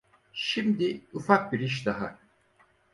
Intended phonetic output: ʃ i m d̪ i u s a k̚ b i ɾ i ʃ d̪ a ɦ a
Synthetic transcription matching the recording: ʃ i m d̪ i u f a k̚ b i ɾ i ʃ d̪ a ɦ a

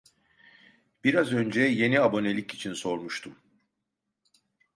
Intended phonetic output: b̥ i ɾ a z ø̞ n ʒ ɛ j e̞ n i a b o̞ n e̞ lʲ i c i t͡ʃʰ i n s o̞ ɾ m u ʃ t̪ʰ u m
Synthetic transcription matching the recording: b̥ i ɾ a z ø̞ n d͡ʒ ɛ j e̞ n i a b o̞ n e̞ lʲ i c i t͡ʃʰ i n s o̞ ɾ m u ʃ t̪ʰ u m

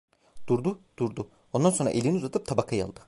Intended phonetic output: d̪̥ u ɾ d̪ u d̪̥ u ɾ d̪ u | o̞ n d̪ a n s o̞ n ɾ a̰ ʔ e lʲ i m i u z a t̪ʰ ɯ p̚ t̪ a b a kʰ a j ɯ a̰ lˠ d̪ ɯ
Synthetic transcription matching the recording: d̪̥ u ɾ d̪ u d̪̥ u ɾ d̪ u | o̞ n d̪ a n s o̞ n ɾ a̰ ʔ e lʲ i n i u z a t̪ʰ ɯ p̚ t̪ʰ a b a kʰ a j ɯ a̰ lˠ d̪ ɯ

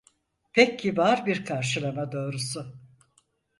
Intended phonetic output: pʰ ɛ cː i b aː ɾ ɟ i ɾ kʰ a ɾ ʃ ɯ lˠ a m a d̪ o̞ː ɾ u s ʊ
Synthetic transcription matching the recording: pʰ ɛ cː i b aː ɾ b i ɾ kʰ a ɾ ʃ ɯ lˠ a m a d̪ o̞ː ɾ u s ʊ

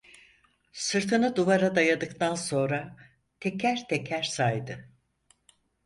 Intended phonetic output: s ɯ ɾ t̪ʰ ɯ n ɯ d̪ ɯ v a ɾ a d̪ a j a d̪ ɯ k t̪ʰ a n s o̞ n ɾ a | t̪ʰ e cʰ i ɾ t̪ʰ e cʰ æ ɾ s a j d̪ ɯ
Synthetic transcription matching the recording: s ɯ ɾ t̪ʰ ɯ n ɯ d̪ u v a ɾ a d̪ a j a d̪ ɯ k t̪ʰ a n s o̞ n ɾ a | t̪ʰ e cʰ æ ɾ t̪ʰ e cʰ æ ɾ s a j d̪ ɯ

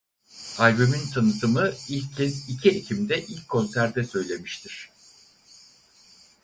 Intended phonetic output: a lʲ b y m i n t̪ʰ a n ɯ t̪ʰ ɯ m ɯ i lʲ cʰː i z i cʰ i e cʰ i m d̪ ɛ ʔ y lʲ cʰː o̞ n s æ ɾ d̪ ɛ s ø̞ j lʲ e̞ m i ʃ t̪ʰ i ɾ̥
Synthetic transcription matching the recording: a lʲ b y m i n t̪ʰ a n ɯ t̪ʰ ɯ m ɯ i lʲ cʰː ɛ z i cʰ i e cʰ i m d̪ ɛ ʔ i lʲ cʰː o̞ n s æ ɾ d̪ ɛ s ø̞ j lʲ e̞ m i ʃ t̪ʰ i ɾ̥

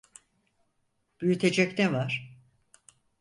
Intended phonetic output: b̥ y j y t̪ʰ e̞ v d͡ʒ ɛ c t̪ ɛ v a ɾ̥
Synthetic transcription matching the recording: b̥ y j y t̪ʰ e̞ d͡ʒ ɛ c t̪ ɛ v a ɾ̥

